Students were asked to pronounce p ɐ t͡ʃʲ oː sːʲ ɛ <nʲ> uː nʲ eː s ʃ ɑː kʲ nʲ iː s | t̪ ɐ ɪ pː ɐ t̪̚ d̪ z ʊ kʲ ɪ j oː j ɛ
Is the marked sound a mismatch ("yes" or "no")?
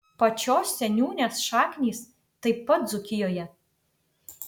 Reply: no